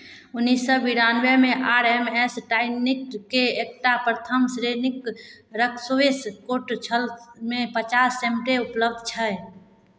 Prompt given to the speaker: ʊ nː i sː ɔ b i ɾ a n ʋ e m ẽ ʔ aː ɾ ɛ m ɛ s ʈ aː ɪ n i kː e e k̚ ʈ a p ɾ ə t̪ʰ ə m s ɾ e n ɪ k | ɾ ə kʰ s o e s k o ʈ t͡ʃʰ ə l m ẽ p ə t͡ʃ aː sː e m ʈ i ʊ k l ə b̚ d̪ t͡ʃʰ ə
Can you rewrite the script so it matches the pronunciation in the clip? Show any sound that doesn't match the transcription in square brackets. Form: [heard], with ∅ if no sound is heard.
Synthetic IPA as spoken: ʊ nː i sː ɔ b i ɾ a n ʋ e m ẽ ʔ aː ɾ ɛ m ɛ s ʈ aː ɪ n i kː e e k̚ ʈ a p ɾ ə t̪ʰ ə m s ɾ e n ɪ k | ɾ ə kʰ s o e s k o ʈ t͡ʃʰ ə l m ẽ p ə t͡ʃ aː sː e m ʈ [e] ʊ [p] l ə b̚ d̪ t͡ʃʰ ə